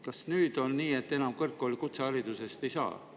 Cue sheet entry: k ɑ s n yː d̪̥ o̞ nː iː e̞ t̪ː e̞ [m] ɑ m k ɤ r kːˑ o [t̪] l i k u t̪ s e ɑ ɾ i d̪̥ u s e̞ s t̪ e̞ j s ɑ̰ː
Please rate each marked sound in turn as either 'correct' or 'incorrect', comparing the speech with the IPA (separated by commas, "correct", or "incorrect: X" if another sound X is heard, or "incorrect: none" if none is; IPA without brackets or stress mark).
incorrect: n, incorrect: none